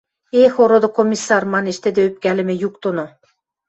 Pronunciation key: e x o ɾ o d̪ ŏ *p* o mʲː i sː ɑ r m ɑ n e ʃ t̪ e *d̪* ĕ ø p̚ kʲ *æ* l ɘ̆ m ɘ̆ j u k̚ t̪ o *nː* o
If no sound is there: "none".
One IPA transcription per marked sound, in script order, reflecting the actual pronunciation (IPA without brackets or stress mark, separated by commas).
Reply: k, d̪, æ, n